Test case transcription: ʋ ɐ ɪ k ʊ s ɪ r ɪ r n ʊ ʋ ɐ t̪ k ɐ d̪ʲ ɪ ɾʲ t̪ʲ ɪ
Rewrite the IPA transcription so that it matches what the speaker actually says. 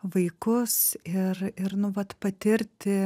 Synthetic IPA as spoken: ʋ ɐ ɪ k ʊ s ɪ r ɪ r n ʊ ʋ ɐ t̪ p ɐ t̪ʲ ɪ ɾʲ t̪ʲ ɪ